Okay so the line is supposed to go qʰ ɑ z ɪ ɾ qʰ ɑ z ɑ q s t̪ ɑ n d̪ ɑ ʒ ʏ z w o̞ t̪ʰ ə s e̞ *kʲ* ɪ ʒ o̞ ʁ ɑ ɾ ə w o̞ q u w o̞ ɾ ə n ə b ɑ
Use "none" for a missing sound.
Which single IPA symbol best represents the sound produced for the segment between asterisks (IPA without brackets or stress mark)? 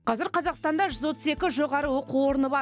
kʲ